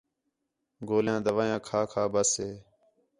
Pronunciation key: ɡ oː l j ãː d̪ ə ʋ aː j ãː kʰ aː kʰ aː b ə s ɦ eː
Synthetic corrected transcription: ɡ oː l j ãː d̪ ə ʋ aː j ãː kʰ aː kʰ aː b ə s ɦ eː